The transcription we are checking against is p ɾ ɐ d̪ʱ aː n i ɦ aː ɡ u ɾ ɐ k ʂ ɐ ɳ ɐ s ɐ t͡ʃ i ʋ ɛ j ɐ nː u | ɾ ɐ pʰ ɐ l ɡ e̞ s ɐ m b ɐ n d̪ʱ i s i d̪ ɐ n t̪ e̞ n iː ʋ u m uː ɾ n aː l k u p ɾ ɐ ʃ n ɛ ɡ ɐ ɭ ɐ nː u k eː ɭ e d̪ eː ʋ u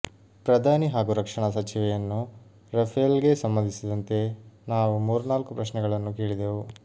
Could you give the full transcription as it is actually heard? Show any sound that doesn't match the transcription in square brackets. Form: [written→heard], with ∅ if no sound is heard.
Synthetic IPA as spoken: p ɾ ɐ d̪ʱ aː n i ɦ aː ɡ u ɾ ɐ k ʂ ɐ ɳ ɐ s ɐ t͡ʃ i ʋ ɛ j ɐ nː u | ɾ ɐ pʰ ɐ l ɡ e̞ s ɐ m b ɐ n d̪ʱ i s i d̪ ɐ n t̪ e̞ n [iː→aː] ʋ u m uː ɾ n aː l k u p ɾ ɐ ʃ n ɛ ɡ ɐ ɭ ɐ nː u k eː ɭ [e→i] d̪ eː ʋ u